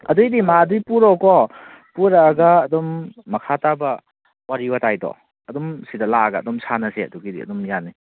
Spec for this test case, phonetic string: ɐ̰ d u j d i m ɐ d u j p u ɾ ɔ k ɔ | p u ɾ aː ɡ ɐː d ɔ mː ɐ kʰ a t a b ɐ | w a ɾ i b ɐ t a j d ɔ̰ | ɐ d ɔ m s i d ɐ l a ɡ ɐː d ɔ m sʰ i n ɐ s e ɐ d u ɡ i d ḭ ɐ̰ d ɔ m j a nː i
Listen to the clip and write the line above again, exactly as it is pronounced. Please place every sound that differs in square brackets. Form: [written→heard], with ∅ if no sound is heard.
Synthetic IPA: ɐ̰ d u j d i m [ɐ→a] d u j p u ɾ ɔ k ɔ | p u ɾ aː ɡ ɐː d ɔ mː ɐ kʰ a t a b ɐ | w a ɾ i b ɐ t a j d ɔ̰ | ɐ d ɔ m s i d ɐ l a ɡ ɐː d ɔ m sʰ [i→a] n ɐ s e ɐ d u ɡ i d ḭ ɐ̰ d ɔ m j a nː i